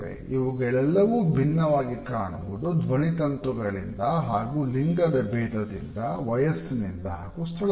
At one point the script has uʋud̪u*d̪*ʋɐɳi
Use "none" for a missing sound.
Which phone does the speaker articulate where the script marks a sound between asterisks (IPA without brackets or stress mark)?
d̪